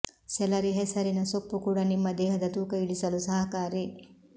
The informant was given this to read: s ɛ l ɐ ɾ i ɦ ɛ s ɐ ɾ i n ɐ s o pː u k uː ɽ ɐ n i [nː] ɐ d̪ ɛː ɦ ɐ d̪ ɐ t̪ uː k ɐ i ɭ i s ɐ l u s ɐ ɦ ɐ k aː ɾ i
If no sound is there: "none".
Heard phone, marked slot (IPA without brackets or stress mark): mː